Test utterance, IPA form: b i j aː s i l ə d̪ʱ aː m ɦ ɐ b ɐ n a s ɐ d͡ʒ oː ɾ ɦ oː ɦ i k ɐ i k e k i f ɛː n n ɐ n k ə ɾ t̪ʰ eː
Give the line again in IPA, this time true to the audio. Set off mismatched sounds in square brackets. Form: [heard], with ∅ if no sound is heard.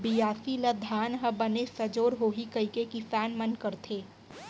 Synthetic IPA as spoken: b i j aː s i l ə d̪ʱ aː [n] ɦ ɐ b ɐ n [e] s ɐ d͡ʒ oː ɾ ɦ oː ɦ i k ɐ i k e k i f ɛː n [m] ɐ n k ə ɾ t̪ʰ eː